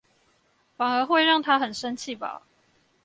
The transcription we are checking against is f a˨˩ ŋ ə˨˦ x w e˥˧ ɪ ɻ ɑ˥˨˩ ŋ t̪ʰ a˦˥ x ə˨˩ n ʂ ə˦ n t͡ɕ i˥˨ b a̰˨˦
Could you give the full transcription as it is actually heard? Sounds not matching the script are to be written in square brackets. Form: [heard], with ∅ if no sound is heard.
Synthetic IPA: f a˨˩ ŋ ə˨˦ x w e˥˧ ɪ ɻ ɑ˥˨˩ ŋ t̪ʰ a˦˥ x ə˨˩ n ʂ ə˦ n [t͡ɕʰ] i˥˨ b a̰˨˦